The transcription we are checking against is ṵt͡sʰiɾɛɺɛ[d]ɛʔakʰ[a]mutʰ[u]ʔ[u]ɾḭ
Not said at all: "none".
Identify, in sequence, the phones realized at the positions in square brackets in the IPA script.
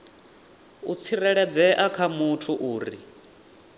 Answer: d͡z, a, u, uː

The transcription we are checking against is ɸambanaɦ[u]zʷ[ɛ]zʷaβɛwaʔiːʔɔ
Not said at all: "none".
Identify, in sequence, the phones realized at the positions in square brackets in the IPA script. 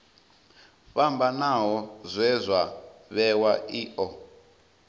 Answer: ɔ, ɛ

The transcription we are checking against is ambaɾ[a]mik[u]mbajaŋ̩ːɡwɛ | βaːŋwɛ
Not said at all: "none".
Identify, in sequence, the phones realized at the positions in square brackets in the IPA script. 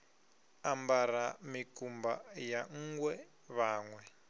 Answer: a, u

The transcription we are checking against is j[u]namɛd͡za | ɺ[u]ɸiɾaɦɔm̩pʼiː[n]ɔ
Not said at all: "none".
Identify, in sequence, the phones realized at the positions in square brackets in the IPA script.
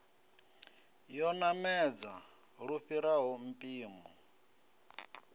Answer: ɔ, u, m

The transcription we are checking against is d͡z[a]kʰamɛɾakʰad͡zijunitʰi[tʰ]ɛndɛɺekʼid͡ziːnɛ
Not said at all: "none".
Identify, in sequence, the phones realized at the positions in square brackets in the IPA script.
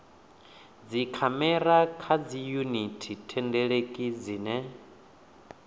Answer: i, tʰ

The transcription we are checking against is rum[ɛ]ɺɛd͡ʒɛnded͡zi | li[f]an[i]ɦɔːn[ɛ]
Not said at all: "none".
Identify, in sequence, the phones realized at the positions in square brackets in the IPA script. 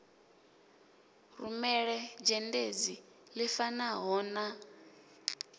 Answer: ɛ, f, a, a

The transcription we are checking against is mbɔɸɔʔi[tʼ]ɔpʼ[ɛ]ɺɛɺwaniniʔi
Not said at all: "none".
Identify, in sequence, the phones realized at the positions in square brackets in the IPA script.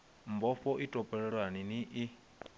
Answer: tʼ, ɛ

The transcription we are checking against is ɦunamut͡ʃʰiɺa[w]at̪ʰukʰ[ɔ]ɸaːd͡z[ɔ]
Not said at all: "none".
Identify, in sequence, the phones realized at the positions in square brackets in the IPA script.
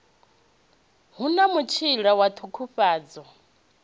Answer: w, u, ɔ

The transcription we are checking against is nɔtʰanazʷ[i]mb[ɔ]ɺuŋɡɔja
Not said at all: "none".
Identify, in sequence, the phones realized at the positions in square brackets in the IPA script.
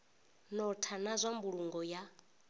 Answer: a, u

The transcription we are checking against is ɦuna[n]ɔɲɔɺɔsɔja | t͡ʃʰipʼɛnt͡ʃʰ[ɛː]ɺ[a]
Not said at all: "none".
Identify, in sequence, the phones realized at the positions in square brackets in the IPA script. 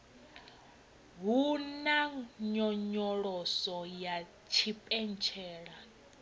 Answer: ɲ, ɛː, a

